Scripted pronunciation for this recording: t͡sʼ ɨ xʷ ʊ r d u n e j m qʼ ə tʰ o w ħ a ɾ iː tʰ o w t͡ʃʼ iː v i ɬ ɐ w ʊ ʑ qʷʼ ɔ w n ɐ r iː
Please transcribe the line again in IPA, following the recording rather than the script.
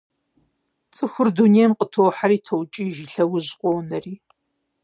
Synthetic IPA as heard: t͡sʼ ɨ xʷ ʊ r d u n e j m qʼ ə tʰ o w ħ a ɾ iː tʰ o w t͡ʃʼ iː ʒ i ɬ ɐ w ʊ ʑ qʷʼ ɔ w n ɐ r iː